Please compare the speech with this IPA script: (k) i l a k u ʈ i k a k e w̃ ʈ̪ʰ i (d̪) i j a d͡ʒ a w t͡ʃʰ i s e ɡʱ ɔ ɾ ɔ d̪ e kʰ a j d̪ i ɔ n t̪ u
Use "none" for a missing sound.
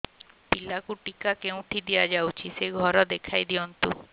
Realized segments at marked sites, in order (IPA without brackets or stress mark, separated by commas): p, d̪